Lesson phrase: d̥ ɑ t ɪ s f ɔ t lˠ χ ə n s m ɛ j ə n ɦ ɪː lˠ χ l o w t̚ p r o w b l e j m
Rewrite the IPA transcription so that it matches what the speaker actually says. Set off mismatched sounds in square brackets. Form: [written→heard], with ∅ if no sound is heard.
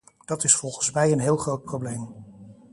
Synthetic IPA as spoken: d̥ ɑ t ɪ s f ɔ [t→∅] lˠ χ ə n s m ɛ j ə n ɦ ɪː lˠ χ [l→r] o w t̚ p r o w b l e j m